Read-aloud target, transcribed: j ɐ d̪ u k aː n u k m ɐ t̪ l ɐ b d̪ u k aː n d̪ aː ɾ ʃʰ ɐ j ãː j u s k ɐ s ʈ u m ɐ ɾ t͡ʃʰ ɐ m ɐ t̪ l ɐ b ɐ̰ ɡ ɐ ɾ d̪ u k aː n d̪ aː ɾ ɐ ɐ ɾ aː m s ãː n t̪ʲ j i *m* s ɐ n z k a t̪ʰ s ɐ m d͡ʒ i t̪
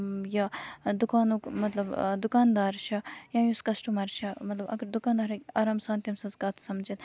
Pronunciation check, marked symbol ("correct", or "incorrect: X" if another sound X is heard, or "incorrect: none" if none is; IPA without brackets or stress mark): correct